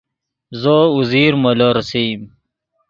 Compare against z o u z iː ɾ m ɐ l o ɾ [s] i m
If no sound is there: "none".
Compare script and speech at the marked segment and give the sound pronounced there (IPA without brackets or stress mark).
s